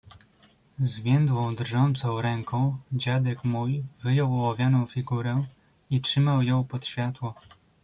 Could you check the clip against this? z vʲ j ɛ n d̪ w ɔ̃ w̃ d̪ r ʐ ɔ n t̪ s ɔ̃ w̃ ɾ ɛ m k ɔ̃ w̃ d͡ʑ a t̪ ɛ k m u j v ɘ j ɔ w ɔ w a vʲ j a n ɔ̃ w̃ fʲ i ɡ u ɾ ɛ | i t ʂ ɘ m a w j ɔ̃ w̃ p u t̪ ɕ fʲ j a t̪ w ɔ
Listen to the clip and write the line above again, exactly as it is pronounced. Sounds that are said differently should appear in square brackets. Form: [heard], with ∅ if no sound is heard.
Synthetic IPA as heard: z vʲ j ɛ n d̪ w ɔ̃ w̃ d̪ r ʐ ɔ n t̪ s ɔ̃ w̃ ɾ ɛ [ŋ] k ɔ̃ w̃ d͡ʑ a [d̪] ɛ k m u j v ɘ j ɔ w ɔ w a vʲ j a n ɔ̃ w̃ fʲ i ɡ u ɾ ɛ | i t ʂ ɘ m a w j ɔ̃ w̃ p [ɔ] t̪ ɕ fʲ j a t̪ w ɔ